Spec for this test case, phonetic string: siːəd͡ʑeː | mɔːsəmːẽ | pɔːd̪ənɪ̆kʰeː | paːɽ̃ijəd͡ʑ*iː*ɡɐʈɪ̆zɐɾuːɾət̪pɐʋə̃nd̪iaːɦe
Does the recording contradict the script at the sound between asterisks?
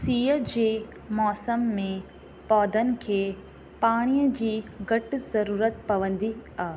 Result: no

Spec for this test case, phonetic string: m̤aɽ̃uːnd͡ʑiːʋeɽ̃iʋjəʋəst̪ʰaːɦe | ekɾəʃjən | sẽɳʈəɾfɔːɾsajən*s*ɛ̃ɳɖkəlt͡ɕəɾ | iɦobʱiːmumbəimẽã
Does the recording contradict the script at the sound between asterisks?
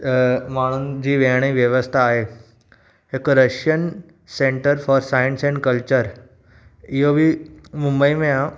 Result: no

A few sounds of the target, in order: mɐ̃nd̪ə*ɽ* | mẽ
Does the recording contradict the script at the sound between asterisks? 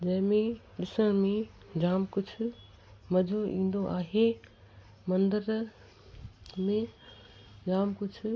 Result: yes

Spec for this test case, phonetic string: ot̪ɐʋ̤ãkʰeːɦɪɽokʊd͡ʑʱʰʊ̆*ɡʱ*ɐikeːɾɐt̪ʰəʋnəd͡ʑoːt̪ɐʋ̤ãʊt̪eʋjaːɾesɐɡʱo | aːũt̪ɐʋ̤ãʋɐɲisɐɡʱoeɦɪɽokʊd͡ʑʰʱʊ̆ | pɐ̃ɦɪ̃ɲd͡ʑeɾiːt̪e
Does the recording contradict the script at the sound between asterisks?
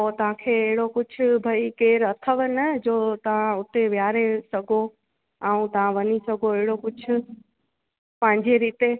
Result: yes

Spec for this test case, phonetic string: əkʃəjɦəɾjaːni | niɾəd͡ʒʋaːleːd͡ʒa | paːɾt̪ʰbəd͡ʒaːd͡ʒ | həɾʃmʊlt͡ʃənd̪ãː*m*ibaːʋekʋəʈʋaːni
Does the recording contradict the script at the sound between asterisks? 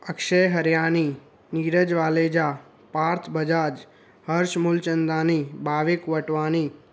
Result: yes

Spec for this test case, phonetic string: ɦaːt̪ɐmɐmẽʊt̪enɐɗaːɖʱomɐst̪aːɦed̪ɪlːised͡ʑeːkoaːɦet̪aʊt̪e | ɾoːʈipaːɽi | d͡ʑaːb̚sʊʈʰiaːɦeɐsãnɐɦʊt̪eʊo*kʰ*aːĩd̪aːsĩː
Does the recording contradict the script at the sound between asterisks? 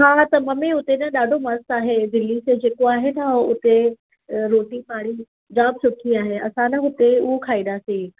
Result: no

